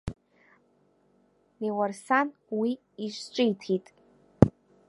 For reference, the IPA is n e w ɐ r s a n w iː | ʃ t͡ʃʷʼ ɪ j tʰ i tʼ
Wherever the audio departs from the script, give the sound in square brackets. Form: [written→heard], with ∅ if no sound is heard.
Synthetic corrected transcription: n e w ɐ r s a n w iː | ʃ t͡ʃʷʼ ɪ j tʰ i tʼ

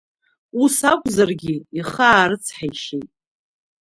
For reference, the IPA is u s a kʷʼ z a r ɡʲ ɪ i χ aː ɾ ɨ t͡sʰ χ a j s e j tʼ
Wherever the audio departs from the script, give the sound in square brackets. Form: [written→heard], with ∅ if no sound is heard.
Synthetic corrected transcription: u s a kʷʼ z a r ɡʲ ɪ i χ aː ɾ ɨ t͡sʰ [χ→ħ] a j [s→ʃ] e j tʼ

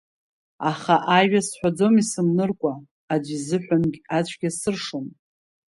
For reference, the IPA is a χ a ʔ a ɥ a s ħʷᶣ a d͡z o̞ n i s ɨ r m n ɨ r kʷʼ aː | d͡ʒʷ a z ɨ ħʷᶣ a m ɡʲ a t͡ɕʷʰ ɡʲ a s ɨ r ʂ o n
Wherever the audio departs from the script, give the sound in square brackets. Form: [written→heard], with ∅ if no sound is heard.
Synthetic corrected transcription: a χ a ʔ a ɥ a s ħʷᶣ a d͡z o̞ [n→m] i s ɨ [r→∅] m n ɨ r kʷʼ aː | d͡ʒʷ [a→i] z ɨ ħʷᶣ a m ɡʲ a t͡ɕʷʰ ɡʲ a s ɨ r ʂ o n

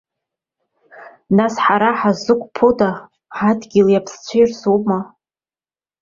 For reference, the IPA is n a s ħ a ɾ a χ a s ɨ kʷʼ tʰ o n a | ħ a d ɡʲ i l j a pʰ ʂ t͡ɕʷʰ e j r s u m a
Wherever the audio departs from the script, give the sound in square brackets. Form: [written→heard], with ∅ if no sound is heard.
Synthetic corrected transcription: n a s ħ a ɾ a [χ→ħ] a [s→z] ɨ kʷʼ [tʰ→pʰ] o [n→d] a | ħ a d ɡʲ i l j a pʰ [ʂ→s] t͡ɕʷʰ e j r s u m a

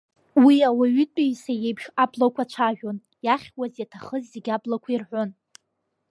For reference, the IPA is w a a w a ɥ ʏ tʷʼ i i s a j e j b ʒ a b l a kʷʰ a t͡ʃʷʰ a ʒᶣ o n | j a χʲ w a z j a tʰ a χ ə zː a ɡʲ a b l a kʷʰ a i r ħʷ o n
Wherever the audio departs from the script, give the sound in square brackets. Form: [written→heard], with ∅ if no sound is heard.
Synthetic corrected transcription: w [a→i] a w a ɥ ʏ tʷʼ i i s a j e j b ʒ a b l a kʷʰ a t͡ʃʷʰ a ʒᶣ o n | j a χʲ w a z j a tʰ a χ ə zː [a→e] ɡʲ a b l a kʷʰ a i r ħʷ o n

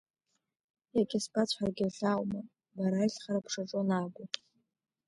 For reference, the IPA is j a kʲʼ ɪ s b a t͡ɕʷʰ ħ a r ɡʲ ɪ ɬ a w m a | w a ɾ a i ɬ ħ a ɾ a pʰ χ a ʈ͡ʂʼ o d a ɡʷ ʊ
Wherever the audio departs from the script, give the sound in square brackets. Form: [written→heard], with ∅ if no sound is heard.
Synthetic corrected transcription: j a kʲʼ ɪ s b a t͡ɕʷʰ ħ a r ɡʲ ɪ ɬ a w m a | [w→b] a ɾ a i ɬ [ħ→χ] a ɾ a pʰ [χ→ʂ] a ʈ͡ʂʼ o [d→n] a ɡʷ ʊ

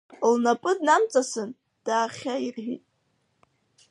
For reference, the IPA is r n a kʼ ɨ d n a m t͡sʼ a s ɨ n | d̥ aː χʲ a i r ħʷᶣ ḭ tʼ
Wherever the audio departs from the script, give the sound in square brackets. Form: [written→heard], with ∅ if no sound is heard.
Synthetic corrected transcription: [r→l] n a [kʼ→pʼ] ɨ d n a m t͡sʼ a s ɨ n | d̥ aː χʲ a i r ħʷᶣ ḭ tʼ

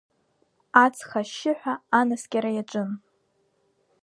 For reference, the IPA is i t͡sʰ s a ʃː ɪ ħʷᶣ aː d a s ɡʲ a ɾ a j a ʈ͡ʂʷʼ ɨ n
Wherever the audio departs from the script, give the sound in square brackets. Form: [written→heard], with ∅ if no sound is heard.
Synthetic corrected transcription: [i→a] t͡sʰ [s→χ] a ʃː ɪ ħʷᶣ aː [d→n] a s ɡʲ a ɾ a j a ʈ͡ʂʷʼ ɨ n

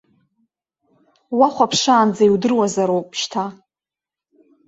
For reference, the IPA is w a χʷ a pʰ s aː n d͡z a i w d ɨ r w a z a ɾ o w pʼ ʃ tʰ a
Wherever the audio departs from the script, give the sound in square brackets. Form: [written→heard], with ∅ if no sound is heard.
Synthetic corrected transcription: w a χʷ a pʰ [s→ʂ] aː n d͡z a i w d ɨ r w a z a ɾ o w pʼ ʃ tʰ a

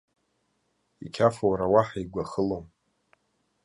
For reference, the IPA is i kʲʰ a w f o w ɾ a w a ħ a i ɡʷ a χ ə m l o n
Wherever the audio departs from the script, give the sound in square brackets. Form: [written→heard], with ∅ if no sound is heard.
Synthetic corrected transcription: i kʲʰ a [w→∅] f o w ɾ a w a ħ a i ɡʷ a χ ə [m→∅] l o [n→m]

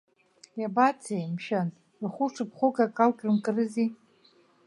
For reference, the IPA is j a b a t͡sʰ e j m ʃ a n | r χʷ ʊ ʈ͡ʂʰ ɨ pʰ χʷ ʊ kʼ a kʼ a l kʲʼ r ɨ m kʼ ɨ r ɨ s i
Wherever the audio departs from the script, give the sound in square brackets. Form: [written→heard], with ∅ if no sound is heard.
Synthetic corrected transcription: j a b a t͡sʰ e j m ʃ a n | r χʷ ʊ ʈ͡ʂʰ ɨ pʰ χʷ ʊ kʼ a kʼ a l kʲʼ r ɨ m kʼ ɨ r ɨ [s→z] i

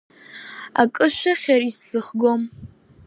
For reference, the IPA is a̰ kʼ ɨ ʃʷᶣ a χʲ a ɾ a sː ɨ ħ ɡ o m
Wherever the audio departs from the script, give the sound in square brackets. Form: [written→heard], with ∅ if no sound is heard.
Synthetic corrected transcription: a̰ kʼ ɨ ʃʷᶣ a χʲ a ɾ [a→i] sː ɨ [ħ→χ] ɡ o m

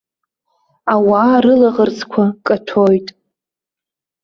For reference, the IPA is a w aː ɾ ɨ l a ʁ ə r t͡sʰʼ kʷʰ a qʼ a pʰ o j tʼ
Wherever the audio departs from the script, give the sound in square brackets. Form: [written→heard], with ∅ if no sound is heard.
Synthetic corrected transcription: a w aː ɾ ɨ l a ʁ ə r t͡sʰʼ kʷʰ a [qʼ→kʼ] a [pʰ→tʰ] o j tʼ

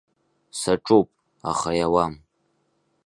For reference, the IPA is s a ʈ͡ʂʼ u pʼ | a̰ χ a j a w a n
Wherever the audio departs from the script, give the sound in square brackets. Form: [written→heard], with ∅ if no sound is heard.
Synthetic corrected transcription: s a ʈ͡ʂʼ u pʼ | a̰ χ a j a w a [n→m]

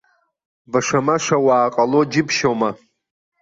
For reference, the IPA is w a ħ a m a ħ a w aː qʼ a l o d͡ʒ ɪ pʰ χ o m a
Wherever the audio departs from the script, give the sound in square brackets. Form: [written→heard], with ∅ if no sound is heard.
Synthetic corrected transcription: [w→b] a [ħ→ʂ] a m a [ħ→ʂ] a w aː qʼ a l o d͡ʒ ɪ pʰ [χ→ʃ] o m a

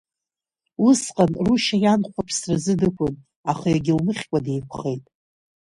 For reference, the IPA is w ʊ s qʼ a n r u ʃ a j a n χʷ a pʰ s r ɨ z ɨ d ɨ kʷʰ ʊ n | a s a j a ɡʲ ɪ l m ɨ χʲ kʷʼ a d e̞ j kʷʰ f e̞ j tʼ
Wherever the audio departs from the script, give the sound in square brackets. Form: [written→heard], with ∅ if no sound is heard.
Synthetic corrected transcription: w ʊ s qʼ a n r u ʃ a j a n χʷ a pʰ s r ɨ z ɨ d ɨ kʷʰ ʊ n | a [s→χ] a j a ɡʲ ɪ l m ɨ χʲ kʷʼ a d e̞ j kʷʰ [f→χ] e̞ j tʼ

